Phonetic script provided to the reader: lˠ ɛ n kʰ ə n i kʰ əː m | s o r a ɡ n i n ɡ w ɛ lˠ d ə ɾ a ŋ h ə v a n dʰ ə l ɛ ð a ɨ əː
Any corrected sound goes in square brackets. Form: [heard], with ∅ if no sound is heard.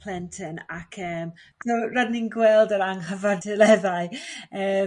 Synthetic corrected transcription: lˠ ɛ n [tʰ] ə n [a] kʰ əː m | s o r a [d] n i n ɡ w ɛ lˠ d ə ɾ a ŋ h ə v a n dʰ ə l ɛ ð a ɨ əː

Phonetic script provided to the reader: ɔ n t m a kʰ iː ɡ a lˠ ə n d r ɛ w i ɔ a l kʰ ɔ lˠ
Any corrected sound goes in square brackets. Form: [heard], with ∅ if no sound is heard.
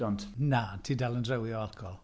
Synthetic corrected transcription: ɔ n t [n] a [tʰ] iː [d] a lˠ ə n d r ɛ w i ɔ a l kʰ ɔ lˠ

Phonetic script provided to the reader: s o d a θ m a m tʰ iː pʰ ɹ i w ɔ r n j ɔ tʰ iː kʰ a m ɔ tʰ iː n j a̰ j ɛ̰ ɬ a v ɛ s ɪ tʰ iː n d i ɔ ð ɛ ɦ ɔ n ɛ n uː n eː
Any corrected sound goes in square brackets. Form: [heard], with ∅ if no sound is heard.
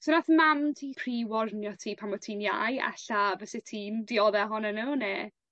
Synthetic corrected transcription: s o [n] a θ m a m tʰ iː pʰ [r] i w ɔ r n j ɔ tʰ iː [pʰ] a m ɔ tʰ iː n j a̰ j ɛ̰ ɬ a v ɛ s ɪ tʰ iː n d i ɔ ð ɛ ɦ ɔ n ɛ n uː n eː

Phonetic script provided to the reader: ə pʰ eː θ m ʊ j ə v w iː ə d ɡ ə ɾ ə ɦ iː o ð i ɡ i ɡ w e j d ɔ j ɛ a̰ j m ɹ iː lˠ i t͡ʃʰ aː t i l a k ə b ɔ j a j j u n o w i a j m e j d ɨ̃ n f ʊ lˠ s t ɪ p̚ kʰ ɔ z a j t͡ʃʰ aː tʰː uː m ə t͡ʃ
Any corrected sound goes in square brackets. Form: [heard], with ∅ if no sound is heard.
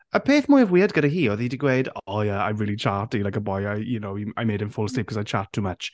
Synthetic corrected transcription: ə pʰ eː θ m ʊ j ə v w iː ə d ɡ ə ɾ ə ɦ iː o ð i [d] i ɡ w e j d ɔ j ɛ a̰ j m ɹ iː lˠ i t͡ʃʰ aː t i l a k ə b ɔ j a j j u n o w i a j m e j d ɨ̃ n f ʊ lˠ s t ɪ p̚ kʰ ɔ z a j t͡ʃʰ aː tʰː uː m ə t͡ʃ

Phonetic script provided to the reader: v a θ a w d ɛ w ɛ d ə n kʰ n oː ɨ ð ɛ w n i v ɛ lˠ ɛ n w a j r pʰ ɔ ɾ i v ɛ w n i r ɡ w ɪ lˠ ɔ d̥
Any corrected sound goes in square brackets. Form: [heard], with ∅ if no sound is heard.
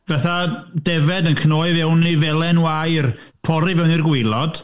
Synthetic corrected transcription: v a θ a [∅] d ɛ [v] ɛ d ə n kʰ n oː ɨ [v] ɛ w n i v ɛ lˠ ɛ n w a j r pʰ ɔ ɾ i v ɛ w n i r ɡ w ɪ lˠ ɔ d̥

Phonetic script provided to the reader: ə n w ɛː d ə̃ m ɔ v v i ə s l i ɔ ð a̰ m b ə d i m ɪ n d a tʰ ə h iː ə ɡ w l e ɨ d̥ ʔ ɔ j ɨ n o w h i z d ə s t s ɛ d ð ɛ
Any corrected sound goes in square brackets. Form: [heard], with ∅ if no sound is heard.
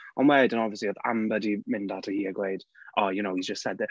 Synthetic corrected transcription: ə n w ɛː d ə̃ [n] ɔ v v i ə s l i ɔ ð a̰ m b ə d i m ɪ n d a tʰ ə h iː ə ɡ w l e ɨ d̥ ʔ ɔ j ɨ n o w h i z [d͡ʒ] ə s t s ɛ d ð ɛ

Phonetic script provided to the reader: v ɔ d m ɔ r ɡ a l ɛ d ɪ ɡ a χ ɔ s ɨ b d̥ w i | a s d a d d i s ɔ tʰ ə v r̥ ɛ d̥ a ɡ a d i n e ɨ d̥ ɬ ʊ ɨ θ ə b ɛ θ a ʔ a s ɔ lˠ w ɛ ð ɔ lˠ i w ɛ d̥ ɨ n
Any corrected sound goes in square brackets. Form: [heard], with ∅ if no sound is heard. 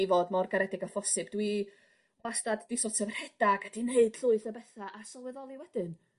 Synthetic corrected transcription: v ɔ d m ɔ r ɡ a [ɾ] ɛ d ɪ ɡ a [f] ɔ s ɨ b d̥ w i | a s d a d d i s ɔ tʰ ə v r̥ ɛ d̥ a ɡ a d i n e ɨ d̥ ɬ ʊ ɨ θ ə b ɛ θ a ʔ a s ɔ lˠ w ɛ ð ɔ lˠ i w ɛ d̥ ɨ n

